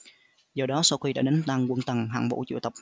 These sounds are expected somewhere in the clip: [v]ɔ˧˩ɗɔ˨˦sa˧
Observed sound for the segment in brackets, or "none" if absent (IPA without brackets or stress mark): z